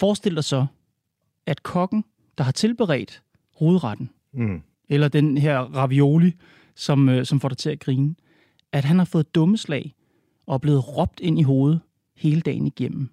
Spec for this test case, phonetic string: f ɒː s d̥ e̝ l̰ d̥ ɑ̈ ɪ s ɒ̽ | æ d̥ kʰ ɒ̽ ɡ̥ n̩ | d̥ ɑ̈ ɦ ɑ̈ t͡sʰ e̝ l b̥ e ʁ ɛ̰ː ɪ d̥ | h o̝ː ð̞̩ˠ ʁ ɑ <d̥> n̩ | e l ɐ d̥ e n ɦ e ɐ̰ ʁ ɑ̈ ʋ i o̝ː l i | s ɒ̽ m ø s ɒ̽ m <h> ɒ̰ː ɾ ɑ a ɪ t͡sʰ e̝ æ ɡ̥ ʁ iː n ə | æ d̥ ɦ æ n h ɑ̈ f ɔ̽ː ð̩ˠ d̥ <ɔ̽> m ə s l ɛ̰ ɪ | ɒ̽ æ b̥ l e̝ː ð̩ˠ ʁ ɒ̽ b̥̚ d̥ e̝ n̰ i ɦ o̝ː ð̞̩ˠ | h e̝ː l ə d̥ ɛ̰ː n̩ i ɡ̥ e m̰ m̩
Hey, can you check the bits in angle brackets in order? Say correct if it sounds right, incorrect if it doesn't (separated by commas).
correct, incorrect, correct